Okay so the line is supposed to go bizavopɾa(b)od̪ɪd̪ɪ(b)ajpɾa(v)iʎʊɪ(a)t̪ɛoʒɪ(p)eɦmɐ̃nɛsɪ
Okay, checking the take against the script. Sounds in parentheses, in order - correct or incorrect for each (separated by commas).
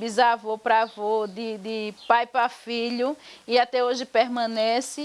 incorrect, incorrect, incorrect, correct, correct